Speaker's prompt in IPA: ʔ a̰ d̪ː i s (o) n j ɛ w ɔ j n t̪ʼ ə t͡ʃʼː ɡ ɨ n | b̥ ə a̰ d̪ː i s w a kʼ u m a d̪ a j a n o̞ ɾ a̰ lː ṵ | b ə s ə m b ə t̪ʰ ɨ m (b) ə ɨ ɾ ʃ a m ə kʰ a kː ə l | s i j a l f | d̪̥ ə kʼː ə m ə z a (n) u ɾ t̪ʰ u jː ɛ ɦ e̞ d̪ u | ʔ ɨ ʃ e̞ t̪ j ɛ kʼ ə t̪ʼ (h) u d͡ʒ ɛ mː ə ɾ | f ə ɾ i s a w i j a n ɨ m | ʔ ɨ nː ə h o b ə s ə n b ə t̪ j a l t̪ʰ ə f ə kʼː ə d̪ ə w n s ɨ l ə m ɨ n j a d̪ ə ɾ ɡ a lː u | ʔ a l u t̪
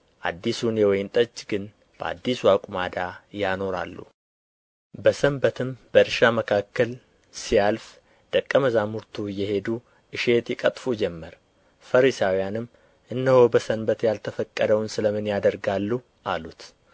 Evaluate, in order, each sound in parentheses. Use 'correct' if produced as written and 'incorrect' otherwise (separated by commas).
incorrect, correct, incorrect, incorrect